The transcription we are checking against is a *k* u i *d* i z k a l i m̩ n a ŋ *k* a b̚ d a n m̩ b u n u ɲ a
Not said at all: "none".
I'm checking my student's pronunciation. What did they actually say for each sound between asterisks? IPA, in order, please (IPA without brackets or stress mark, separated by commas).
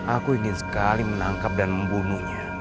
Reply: k, n, k